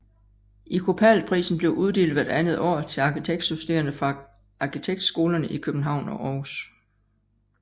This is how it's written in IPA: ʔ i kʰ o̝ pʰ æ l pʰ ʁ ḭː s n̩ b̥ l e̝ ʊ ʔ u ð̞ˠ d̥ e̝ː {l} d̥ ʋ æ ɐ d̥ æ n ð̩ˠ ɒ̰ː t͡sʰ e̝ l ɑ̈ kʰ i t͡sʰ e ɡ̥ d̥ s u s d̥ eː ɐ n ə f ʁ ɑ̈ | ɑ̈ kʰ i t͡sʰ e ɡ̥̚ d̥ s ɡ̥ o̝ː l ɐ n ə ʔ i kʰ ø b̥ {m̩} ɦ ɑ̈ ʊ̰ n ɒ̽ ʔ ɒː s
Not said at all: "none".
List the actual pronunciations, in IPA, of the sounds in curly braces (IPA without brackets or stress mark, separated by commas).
l, n̩